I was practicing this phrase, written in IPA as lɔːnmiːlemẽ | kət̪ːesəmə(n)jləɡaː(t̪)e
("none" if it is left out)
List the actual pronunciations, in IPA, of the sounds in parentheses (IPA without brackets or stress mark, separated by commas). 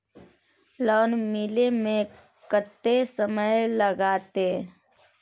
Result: none, t̪